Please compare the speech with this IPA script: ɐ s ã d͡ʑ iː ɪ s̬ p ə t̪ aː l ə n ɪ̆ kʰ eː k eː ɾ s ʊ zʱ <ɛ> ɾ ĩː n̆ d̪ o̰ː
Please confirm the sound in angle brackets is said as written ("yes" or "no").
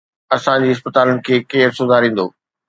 no